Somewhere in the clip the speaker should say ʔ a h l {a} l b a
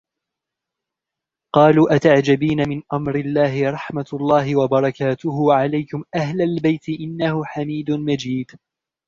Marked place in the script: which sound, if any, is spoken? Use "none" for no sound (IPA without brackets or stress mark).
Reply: a